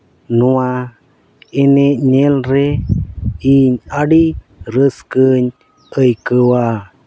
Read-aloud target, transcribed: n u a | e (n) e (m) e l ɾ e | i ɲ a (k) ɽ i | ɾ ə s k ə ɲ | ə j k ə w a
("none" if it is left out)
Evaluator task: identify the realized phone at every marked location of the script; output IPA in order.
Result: n, ɲ, none

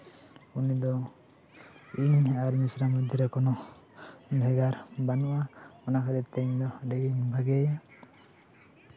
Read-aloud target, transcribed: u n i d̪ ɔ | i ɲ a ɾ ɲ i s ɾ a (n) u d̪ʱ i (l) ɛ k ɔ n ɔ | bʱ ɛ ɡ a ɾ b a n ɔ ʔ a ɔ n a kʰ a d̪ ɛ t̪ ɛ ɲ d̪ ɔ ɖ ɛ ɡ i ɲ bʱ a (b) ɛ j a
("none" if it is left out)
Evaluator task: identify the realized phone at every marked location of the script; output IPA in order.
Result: m, ɾ, ɡ

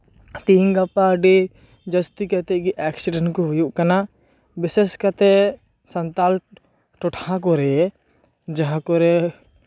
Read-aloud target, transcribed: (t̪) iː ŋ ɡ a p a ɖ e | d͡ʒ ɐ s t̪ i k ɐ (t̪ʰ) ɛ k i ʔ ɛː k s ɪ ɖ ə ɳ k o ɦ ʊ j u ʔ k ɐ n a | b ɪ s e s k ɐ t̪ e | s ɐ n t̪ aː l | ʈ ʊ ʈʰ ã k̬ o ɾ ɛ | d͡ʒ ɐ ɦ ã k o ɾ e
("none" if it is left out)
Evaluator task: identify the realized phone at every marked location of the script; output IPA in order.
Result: t̪, t̪

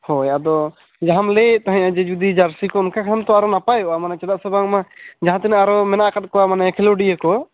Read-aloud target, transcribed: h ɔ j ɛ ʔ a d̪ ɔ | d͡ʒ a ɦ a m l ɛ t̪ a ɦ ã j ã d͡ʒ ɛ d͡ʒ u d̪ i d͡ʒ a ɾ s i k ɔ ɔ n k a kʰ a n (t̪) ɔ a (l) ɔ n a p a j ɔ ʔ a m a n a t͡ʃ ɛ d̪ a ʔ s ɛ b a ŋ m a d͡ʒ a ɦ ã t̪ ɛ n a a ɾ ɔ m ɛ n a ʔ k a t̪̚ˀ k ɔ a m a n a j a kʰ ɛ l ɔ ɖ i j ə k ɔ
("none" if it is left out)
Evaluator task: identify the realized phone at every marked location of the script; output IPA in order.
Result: t̪, ɾ

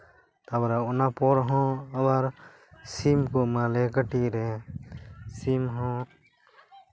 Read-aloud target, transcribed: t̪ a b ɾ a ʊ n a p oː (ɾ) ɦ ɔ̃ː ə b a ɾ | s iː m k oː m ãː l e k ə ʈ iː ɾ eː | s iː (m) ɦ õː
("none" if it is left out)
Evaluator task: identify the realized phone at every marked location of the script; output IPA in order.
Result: ɾ, m

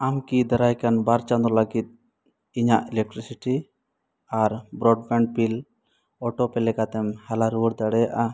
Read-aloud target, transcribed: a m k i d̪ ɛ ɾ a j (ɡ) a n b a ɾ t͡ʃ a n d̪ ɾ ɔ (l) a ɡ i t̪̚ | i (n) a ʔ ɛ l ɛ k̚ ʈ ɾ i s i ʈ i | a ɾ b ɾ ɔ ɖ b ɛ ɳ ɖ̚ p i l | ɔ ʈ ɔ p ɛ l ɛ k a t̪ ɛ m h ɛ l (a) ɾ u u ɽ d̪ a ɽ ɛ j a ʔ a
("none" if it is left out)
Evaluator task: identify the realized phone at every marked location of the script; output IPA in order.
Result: k, l, ɲ, a

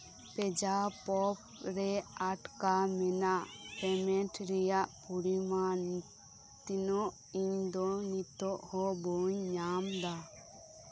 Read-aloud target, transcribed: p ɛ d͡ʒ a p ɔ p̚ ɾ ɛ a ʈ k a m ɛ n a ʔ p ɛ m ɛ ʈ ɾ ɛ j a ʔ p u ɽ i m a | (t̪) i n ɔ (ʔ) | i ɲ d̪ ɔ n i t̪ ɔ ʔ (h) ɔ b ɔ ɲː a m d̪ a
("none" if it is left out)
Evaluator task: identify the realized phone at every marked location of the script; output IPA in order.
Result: t̪, ʔ, h

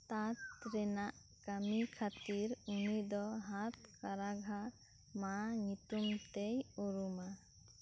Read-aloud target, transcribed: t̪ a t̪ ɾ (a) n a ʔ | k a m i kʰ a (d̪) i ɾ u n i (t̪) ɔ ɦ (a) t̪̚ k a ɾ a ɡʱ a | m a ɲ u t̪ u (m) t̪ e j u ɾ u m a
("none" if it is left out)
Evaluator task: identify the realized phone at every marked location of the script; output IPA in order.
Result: ɛ, t̪, d̪, a, m

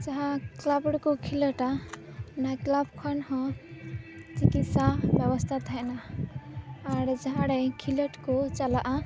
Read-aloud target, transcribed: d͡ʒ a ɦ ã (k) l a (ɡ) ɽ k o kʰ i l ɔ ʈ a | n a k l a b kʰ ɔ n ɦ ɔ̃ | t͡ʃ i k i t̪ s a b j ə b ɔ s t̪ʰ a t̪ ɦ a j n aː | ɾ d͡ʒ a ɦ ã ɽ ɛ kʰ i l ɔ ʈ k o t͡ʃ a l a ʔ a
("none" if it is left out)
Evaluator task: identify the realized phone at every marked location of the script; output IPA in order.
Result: k, b

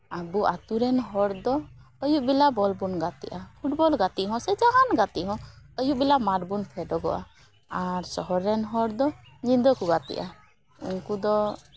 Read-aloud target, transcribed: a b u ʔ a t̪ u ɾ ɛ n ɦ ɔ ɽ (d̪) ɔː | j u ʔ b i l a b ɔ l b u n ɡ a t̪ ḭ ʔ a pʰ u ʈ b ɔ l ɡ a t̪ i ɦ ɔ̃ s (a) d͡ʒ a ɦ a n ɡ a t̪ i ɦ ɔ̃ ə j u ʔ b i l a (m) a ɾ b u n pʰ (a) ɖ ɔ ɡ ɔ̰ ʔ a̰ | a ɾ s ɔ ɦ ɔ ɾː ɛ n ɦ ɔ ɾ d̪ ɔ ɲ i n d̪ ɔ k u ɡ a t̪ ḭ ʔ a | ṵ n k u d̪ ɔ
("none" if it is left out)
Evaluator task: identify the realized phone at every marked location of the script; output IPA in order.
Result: d̪, ɛ, m, ɛ

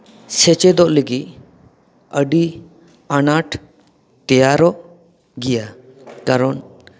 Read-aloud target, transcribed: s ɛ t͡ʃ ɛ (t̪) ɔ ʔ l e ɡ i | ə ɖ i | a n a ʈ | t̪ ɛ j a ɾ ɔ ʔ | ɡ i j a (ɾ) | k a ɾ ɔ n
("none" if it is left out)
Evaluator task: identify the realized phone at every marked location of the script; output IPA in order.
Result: d̪, none

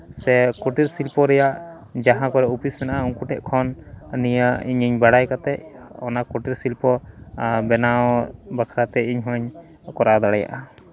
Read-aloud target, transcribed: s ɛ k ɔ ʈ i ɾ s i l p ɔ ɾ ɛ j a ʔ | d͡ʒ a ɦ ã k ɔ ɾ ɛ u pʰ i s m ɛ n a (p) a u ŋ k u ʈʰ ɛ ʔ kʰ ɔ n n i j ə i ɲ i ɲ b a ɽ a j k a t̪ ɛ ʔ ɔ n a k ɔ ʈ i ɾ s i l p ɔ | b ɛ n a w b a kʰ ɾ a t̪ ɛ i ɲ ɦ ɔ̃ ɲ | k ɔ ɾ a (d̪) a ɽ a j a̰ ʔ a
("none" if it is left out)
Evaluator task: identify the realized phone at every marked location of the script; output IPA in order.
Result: ʔ, d̪

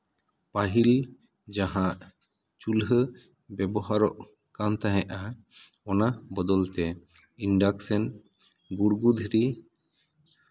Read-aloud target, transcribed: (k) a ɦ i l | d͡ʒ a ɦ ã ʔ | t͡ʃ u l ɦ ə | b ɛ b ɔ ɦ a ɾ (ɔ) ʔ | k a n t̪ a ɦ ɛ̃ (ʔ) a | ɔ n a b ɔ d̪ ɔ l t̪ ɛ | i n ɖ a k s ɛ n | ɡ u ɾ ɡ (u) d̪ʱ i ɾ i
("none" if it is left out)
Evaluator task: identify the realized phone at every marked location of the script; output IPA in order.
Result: p, ɔ, ʔ, u

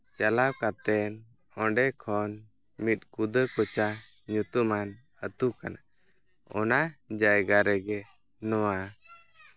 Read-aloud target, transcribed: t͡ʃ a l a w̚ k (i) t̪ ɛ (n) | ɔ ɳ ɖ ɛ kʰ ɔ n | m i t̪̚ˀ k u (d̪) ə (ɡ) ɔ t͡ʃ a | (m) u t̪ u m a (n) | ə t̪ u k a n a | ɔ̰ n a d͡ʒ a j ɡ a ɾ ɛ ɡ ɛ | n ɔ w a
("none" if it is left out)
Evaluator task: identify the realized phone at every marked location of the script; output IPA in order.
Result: a, n, d̪, k, ɲ, n

